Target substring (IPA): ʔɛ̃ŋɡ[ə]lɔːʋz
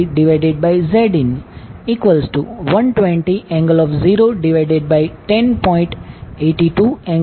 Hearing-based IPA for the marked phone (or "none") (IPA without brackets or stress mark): ə